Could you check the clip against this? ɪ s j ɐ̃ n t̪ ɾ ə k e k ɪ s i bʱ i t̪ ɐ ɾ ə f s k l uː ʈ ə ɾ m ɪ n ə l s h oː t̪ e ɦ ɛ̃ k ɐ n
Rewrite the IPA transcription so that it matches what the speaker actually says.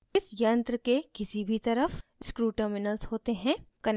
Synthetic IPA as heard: ɪ s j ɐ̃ n t̪ ɾ ə k e k ɪ s i bʱ i t̪ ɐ ɾ ə f s k ɾ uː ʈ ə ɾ m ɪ n ə l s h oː t̪ e ɦ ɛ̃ k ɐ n